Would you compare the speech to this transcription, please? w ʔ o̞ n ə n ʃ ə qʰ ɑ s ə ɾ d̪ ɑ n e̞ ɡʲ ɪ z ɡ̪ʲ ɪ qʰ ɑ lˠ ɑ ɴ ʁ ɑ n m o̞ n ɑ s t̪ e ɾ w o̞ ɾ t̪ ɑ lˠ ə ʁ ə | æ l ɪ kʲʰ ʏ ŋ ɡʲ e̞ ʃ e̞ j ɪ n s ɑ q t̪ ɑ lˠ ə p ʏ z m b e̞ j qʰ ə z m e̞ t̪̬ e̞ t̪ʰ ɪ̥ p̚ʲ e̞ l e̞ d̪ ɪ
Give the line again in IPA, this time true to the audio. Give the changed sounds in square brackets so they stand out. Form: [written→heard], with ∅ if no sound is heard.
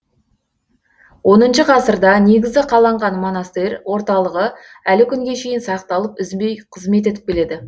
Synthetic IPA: w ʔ o̞ n ə n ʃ ə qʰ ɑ s ə ɾ d̪ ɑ n e̞ ɡʲ ɪ z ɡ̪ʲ ɪ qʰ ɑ lˠ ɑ ɴ ʁ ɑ n m o̞ n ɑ s t̪ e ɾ w o̞ ɾ t̪ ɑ lˠ ə ʁ ə | æ l ɪ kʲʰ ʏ ŋ ɡʲ e̞ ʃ e̞ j ɪ n s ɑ q t̪ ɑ lˠ ə p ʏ z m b e̞ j qʰ ə z m e̞ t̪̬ e̞ [t̪ʰ→t̪] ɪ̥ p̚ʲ e̞ l e̞ d̪ ɪ